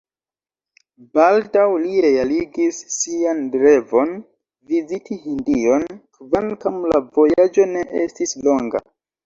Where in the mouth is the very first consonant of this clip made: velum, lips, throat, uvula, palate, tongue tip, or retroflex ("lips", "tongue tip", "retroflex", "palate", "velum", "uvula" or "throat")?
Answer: lips